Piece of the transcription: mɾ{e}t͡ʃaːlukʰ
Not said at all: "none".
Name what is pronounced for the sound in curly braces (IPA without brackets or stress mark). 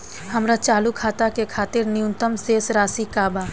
a